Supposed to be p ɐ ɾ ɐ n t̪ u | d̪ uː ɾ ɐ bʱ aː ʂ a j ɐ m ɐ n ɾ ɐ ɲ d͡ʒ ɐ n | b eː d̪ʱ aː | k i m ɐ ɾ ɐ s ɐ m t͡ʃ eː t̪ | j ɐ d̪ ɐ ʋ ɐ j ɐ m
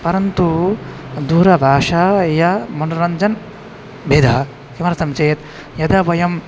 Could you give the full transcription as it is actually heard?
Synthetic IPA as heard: p ɐ ɾ ɐ n t̪ u | d̪ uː ɾ ɐ bʱ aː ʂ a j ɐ m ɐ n ɾ ɐ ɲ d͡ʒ ɐ n | b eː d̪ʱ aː | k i m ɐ ɾ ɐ s ɐ m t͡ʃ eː t̪ | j ɐ d̪ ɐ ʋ ɐ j ɐ m